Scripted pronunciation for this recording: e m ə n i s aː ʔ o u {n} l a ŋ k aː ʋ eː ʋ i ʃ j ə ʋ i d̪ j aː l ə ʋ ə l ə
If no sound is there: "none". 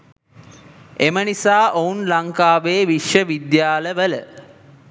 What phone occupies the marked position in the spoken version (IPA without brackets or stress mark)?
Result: n